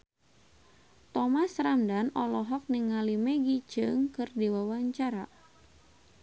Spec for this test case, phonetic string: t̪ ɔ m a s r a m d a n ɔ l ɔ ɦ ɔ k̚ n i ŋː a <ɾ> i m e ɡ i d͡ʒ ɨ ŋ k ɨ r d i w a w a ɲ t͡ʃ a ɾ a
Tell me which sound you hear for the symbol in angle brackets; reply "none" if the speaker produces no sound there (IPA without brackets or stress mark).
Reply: l